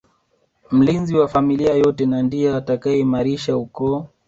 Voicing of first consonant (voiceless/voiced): voiced